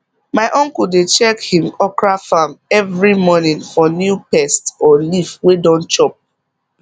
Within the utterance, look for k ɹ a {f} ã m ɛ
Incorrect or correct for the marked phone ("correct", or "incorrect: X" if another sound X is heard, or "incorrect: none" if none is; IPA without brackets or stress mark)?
correct